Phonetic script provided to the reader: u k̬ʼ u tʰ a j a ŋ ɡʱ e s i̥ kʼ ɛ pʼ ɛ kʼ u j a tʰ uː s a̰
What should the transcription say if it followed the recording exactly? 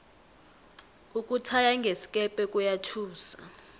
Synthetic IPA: u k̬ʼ u tʰ a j a ŋ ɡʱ e s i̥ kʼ ɛ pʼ ɛ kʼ u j a tʰ uː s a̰